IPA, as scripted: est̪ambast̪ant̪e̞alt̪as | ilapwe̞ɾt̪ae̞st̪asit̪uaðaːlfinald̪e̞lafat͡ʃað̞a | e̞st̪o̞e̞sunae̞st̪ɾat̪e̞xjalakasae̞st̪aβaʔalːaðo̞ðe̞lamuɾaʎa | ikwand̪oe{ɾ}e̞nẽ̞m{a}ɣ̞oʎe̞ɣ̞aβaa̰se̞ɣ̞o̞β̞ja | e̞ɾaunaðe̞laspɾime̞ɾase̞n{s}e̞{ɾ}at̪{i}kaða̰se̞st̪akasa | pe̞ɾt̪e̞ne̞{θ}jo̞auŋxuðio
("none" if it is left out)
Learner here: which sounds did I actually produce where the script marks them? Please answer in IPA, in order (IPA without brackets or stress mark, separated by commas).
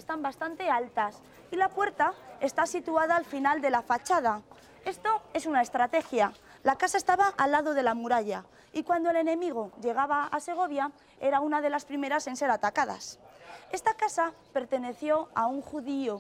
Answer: l, i, s, ɾ, a, θ